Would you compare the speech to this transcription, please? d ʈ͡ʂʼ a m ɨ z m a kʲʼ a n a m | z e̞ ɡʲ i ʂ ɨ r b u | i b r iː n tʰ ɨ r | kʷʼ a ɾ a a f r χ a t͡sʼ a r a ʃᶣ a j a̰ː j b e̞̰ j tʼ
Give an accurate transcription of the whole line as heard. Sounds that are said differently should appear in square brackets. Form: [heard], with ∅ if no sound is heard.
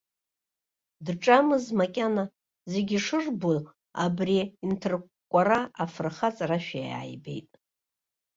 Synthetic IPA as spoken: d ʈ͡ʂʼ a m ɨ z m a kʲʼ a n a [∅] | z e̞ ɡʲ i ʂ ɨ r b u | [a] b r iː n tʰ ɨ r | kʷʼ a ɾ a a f r χ a t͡sʼ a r a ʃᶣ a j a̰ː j b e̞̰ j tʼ